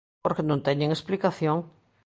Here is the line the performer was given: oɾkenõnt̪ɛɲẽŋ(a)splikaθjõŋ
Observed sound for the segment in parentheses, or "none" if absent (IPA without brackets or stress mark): e